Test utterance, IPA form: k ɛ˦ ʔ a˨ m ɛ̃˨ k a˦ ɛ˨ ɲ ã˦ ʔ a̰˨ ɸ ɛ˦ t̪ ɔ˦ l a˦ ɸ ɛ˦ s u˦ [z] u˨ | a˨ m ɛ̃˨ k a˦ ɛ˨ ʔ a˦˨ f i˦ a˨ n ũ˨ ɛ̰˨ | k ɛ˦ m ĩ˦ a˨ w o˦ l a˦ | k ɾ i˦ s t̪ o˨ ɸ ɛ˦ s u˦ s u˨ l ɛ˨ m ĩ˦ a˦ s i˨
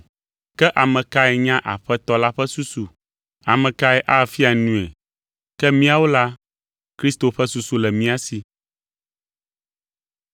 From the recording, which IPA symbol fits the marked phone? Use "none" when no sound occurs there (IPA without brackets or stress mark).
s